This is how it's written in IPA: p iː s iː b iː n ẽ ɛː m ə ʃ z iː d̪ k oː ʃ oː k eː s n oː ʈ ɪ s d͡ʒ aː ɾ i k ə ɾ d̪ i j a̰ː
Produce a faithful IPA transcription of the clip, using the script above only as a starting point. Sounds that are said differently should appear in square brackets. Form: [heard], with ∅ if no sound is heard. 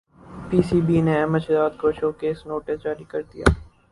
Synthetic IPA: p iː s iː b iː n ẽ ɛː m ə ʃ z [aː] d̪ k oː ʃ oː k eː s n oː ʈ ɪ s d͡ʒ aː ɾ i k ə ɾ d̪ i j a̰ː